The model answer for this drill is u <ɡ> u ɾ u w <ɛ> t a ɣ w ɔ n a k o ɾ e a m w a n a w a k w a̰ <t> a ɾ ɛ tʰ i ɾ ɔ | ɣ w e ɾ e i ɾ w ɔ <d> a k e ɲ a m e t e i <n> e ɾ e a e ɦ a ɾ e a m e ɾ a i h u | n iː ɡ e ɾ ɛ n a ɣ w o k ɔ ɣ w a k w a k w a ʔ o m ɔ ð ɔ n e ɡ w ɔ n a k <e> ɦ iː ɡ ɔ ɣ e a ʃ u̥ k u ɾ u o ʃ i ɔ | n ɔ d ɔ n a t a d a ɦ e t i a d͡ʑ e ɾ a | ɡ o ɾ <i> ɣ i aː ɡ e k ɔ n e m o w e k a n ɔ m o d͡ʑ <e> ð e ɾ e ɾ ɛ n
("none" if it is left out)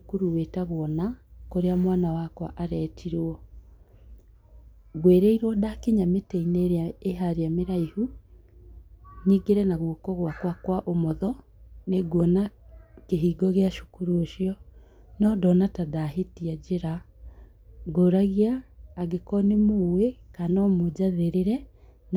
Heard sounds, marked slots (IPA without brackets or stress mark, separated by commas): k, e, ʔ, d, n, e, a, a